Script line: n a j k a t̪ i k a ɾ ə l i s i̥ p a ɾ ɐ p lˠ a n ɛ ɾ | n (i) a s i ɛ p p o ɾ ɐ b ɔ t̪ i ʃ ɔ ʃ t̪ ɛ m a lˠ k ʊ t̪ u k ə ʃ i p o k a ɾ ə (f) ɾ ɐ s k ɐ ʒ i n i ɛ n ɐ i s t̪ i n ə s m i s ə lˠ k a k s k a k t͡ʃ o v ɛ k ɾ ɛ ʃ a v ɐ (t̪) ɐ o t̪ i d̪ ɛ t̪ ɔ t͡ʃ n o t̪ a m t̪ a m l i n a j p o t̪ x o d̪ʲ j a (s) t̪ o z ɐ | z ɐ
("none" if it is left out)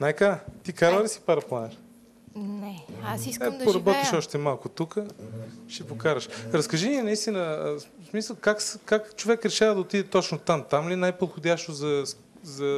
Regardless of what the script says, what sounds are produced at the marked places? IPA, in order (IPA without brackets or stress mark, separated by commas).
ɛ, ʃ, d̪, ʃ